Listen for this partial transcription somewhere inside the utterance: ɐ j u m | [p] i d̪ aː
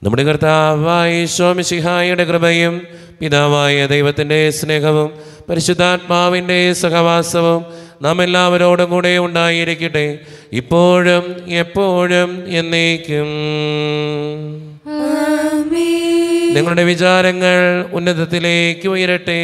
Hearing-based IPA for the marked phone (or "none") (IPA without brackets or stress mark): p